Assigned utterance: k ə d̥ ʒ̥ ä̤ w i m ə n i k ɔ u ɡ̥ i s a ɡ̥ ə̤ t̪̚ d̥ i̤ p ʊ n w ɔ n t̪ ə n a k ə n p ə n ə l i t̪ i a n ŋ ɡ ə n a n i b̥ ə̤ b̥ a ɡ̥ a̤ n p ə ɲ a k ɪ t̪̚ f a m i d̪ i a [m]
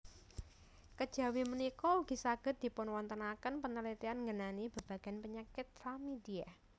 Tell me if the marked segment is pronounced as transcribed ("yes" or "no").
no